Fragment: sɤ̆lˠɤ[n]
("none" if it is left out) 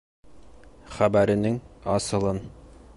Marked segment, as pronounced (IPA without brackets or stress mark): n